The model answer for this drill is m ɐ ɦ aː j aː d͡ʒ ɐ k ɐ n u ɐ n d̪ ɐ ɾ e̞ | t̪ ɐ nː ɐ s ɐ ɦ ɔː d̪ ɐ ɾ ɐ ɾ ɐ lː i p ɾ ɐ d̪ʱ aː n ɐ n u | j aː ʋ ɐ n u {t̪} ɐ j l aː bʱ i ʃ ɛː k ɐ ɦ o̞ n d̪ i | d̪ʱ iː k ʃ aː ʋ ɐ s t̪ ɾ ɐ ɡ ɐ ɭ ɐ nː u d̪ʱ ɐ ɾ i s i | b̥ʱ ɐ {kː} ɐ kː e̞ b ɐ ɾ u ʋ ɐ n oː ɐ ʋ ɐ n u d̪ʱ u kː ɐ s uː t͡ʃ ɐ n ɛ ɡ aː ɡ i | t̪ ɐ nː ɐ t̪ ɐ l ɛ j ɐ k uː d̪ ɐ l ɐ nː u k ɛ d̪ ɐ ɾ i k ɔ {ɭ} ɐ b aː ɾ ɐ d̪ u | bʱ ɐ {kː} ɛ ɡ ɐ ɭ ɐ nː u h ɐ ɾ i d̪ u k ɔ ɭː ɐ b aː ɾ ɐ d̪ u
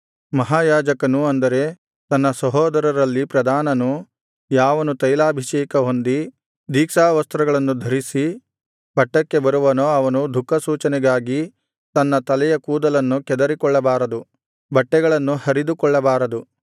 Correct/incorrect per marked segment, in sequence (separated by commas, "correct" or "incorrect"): correct, incorrect, incorrect, incorrect